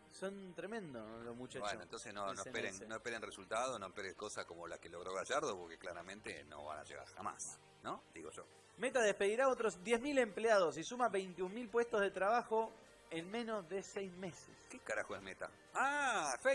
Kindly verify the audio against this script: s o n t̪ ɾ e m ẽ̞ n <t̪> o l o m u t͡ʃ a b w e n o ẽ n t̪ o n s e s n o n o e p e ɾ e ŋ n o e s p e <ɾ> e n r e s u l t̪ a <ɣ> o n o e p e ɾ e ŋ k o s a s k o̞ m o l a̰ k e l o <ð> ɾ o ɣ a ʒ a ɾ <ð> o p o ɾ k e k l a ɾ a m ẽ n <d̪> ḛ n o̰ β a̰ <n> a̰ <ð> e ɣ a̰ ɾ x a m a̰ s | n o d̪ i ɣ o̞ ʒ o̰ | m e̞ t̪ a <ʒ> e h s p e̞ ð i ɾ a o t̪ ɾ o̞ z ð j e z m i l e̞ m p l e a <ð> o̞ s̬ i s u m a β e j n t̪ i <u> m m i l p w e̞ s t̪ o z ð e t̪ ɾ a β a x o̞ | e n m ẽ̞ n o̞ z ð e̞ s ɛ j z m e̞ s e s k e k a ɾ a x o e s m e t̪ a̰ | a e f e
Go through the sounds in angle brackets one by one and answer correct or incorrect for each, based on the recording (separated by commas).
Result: incorrect, correct, incorrect, incorrect, correct, incorrect, correct, incorrect, incorrect, correct, correct